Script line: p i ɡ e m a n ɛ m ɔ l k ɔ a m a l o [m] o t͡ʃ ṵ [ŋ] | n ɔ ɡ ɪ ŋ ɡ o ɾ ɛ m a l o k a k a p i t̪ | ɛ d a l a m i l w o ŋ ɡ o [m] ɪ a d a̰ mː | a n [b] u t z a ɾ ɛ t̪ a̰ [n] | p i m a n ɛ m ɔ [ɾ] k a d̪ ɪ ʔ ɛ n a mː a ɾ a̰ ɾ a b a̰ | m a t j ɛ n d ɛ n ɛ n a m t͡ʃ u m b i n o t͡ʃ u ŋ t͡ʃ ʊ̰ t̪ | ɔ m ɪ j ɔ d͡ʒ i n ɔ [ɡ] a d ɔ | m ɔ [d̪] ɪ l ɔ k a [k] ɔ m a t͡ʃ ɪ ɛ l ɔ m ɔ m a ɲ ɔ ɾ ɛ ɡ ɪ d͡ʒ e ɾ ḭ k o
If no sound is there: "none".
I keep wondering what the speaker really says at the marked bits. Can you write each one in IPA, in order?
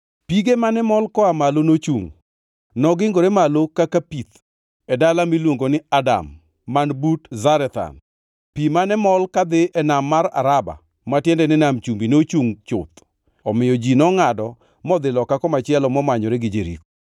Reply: n, ŋ, n, b, n, l, ŋ, d̪, k

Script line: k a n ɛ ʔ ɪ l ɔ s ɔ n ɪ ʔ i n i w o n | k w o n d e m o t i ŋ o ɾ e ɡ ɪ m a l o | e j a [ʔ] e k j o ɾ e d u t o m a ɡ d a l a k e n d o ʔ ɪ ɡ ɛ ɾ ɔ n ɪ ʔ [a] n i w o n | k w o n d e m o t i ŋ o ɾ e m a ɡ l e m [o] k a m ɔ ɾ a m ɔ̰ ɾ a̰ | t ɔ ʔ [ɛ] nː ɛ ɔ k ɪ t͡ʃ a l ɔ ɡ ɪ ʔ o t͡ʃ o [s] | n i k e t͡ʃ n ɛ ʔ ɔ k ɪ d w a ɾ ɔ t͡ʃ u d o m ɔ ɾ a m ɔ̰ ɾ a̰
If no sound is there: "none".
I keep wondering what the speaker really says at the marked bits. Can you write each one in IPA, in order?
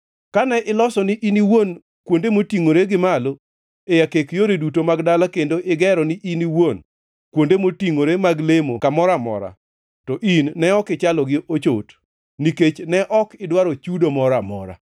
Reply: k, i, o, i, t

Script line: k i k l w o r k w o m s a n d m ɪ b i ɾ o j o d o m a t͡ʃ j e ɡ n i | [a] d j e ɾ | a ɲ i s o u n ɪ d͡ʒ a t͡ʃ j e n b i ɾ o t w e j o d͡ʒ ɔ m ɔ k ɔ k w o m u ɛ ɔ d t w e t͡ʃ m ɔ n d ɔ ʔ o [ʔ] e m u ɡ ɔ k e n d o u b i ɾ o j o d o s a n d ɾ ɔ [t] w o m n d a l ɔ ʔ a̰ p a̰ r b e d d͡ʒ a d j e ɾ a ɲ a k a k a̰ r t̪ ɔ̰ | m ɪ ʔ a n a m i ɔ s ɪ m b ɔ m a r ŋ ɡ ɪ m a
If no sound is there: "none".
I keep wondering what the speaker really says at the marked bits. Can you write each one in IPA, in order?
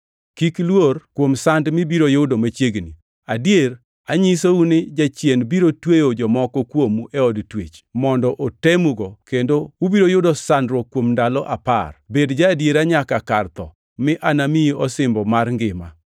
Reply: a, t, k

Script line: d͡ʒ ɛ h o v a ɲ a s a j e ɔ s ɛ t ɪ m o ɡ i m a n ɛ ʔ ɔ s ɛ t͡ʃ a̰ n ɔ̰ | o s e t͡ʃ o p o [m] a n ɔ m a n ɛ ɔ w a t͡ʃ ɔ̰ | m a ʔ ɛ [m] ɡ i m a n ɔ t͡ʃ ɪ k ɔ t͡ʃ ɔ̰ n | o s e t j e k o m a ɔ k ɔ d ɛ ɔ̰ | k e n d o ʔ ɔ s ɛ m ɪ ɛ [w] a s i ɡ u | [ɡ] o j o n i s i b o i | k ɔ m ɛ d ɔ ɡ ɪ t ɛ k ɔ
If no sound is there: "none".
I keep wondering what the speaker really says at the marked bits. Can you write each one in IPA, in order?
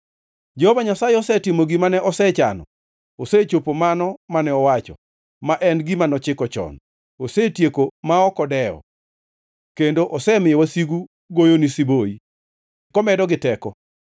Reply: m, n, w, ɡ

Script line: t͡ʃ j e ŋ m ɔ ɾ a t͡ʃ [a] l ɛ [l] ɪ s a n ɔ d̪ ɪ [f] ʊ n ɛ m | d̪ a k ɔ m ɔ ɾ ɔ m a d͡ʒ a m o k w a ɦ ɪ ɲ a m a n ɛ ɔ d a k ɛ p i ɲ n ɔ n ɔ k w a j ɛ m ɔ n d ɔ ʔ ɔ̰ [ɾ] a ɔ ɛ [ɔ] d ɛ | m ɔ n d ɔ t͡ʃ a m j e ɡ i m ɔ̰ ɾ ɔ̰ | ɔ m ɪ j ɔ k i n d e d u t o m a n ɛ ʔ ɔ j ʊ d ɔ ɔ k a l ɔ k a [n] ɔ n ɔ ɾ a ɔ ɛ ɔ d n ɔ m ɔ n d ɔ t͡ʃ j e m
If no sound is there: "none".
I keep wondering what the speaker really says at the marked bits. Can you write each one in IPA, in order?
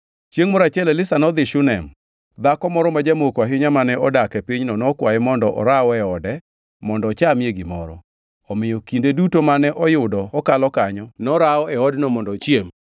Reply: ɛ, l, ʃ, ɾ, ɔ, ɲ

